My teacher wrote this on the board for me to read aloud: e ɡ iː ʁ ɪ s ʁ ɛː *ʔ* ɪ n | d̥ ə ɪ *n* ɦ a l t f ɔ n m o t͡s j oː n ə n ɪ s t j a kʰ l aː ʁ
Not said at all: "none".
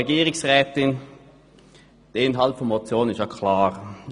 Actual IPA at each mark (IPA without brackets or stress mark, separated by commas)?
t, n